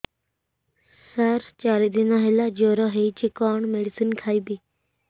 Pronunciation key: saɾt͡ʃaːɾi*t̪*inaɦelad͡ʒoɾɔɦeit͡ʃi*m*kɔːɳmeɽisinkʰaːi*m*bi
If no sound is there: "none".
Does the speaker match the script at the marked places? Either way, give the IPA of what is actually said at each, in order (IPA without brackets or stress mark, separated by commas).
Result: d̪, none, none